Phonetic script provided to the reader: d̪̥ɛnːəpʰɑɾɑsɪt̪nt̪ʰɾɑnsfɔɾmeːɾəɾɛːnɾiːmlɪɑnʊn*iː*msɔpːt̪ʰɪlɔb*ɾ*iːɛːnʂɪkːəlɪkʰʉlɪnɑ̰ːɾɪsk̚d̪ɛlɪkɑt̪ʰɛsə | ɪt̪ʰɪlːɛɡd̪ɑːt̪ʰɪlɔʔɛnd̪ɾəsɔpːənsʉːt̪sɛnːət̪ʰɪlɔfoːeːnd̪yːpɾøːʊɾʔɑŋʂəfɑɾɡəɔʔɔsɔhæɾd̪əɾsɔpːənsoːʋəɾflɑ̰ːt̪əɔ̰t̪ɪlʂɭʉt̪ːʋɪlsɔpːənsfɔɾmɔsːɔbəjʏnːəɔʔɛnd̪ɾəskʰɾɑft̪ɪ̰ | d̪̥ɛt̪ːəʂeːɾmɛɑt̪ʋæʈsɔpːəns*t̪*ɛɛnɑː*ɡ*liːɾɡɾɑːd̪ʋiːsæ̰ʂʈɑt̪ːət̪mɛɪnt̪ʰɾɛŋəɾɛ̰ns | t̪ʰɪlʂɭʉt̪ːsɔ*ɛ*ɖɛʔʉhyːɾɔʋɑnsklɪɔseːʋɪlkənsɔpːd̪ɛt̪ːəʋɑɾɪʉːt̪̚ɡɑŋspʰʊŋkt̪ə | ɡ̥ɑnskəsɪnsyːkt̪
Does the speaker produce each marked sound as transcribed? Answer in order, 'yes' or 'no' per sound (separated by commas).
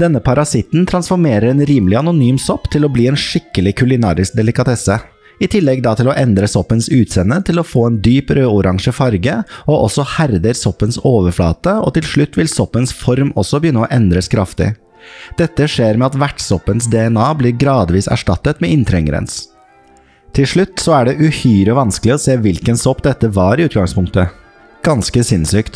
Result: no, no, no, no, no